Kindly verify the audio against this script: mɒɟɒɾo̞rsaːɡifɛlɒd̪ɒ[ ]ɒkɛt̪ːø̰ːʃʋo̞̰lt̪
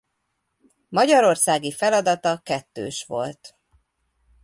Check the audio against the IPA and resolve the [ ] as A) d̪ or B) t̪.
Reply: B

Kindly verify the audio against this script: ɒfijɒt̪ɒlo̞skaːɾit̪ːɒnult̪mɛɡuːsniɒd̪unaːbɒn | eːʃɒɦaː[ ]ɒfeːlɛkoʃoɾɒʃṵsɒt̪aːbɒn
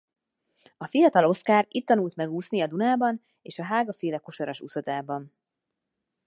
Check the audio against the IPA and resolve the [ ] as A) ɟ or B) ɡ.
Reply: B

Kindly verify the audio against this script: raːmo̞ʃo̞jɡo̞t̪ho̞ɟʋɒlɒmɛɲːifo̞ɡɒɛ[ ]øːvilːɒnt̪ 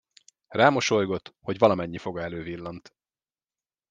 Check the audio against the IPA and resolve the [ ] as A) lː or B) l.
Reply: B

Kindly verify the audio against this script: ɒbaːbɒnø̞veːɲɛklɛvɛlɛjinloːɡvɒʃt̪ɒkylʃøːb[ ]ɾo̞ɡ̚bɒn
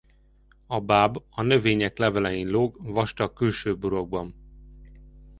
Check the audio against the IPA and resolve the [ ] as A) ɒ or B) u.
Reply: B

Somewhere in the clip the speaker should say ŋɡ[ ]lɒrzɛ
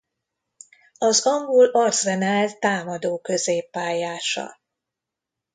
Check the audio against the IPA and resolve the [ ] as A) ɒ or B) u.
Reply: B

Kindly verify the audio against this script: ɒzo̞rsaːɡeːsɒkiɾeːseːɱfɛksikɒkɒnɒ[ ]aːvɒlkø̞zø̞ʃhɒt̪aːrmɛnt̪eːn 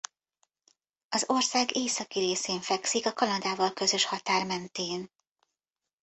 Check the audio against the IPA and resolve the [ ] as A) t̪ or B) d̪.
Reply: B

